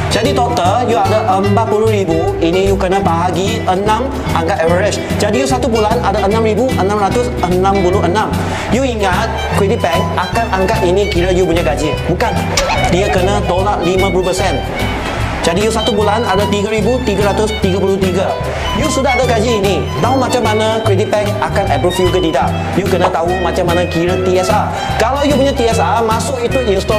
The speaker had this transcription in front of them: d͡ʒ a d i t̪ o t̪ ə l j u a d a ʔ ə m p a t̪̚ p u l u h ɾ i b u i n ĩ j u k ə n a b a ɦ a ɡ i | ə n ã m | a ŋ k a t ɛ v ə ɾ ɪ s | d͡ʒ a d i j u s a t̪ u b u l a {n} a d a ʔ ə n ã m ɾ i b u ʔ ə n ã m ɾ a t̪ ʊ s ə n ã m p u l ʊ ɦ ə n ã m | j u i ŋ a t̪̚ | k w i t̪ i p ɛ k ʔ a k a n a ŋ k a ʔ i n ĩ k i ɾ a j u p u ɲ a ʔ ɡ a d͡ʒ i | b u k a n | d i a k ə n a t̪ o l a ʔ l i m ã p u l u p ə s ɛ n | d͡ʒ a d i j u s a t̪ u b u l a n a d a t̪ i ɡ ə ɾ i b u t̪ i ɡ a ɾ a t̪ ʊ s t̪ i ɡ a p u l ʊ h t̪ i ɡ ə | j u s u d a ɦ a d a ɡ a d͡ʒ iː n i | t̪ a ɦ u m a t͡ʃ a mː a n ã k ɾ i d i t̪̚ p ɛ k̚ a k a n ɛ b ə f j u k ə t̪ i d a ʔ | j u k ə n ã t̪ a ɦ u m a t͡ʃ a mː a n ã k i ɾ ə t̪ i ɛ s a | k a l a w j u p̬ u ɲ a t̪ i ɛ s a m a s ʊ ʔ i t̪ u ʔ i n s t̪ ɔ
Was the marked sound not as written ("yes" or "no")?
no